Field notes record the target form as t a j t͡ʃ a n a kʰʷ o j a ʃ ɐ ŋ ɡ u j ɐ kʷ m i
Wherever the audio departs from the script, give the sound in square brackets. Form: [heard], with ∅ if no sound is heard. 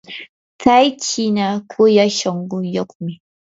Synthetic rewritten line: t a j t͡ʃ [i] n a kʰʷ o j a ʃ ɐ ŋ ɡ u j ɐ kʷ m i